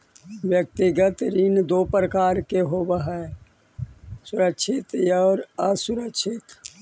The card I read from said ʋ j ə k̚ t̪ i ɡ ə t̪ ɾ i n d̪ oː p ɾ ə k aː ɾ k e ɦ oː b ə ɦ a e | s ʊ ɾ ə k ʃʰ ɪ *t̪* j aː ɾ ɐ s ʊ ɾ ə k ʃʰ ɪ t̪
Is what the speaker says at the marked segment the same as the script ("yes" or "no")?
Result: yes